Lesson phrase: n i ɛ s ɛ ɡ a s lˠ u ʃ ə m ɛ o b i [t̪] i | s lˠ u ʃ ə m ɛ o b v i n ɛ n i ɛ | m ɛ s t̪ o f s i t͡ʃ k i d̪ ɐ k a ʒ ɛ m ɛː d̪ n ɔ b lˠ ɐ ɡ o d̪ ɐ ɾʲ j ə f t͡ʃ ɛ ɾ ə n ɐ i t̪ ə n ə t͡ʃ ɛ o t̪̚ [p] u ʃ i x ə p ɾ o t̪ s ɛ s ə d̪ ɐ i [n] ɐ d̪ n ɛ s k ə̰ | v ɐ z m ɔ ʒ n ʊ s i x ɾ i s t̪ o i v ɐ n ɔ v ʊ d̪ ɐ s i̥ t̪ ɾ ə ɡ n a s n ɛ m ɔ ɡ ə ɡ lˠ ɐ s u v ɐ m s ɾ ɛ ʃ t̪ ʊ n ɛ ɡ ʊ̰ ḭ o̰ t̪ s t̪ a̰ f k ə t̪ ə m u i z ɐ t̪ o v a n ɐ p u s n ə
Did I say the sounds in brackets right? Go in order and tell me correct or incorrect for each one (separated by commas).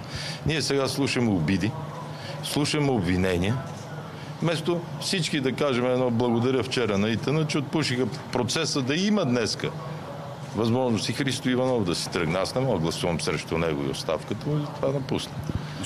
incorrect, correct, incorrect